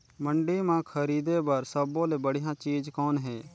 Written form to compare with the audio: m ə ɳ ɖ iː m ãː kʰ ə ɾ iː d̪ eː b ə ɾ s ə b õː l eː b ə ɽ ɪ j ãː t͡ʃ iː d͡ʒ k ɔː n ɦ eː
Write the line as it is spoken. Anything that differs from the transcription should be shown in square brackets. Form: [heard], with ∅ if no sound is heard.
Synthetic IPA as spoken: m ə ɳ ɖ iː m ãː kʰ ə ɾ iː d̪ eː b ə ɾ s ə b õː l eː b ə ɽ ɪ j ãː t͡ʃ iː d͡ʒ k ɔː n ɦ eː